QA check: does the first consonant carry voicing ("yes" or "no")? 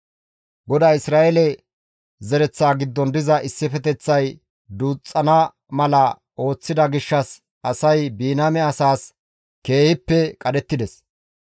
yes